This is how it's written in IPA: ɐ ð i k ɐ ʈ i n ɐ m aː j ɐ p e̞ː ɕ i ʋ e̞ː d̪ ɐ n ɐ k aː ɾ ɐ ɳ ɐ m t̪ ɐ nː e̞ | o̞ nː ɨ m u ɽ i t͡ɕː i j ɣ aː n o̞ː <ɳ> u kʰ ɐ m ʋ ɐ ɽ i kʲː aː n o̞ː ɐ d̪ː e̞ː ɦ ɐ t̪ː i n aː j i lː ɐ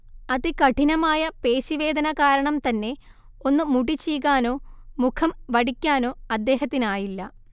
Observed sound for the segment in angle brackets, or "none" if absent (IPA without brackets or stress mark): m